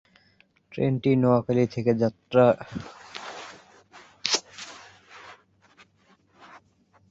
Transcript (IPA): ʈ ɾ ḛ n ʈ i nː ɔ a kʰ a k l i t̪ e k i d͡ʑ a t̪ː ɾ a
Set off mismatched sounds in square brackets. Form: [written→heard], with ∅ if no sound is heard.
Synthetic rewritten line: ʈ ɾ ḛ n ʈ i [nː→n] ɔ a [kʰ→k] a [k→∅] l i [t̪→t̪ʰ] e k [i→e] d͡ʑ a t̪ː ɾ a